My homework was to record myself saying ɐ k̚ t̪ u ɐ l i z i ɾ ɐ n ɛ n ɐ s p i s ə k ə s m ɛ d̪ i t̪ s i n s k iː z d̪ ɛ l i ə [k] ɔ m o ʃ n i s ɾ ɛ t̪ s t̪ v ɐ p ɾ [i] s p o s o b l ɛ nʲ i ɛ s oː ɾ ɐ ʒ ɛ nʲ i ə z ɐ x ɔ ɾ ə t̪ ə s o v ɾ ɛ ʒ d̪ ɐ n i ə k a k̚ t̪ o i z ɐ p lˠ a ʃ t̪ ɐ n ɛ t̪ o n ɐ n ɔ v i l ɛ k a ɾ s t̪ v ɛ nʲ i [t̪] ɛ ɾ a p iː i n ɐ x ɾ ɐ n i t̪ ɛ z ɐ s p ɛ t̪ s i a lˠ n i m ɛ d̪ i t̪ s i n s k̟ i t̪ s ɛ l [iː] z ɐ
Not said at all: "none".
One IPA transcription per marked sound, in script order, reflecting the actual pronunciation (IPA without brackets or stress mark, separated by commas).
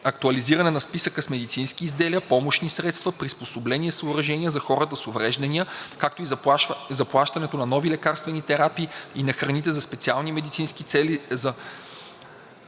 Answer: p, i, t̪, i